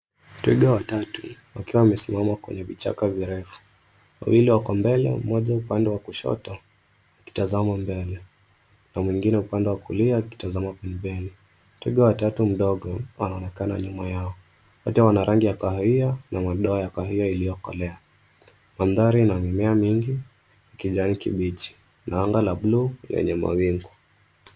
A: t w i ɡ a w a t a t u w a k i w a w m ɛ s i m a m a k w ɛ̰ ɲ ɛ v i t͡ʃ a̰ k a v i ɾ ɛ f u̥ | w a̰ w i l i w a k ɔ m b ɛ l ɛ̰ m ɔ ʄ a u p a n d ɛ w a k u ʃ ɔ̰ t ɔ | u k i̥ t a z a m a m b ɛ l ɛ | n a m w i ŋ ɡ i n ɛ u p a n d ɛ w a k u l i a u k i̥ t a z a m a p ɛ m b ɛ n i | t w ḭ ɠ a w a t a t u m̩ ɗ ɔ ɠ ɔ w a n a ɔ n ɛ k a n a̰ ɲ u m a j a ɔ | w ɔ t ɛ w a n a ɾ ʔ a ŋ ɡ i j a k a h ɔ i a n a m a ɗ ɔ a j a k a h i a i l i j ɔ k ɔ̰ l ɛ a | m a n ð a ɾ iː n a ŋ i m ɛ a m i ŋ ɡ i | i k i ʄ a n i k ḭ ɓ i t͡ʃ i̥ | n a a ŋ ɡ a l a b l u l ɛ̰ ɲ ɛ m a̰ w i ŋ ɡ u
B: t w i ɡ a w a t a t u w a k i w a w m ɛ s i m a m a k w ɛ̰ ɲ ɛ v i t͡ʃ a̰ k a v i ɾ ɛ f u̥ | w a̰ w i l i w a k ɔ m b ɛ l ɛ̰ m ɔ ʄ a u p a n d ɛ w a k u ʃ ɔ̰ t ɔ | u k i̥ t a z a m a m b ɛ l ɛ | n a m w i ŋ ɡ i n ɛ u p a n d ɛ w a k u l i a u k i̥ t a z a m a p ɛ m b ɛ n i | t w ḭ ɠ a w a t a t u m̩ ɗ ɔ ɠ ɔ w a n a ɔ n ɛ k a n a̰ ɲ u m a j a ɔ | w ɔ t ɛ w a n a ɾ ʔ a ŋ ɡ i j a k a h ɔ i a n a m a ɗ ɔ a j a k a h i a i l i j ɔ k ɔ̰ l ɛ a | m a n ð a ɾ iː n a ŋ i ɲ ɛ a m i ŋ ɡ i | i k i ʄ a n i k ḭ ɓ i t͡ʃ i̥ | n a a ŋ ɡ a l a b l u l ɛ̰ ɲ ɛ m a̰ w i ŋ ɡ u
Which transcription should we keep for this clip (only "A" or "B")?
A